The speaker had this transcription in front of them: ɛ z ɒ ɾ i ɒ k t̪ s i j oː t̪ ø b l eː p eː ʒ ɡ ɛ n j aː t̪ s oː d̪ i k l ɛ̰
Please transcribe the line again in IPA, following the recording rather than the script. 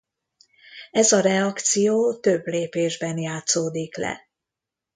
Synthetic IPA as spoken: ɛ z ɒ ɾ ɛ ɒ k t̪ s i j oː t̪ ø b l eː p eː ʒ b ɛ n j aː t̪ s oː d̪ i k l ɛ̰